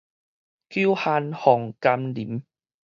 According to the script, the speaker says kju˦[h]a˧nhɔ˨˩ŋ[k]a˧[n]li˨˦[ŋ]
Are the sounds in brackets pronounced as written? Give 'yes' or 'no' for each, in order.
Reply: yes, yes, no, no

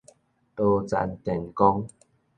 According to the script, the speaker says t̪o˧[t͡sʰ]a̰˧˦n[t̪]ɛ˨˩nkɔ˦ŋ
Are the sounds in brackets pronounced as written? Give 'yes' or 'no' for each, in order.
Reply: no, yes

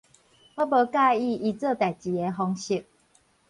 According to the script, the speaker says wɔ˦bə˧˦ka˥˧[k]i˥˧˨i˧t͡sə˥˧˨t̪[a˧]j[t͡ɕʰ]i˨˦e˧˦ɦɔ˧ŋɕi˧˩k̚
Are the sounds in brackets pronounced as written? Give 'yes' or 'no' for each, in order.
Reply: no, no, no

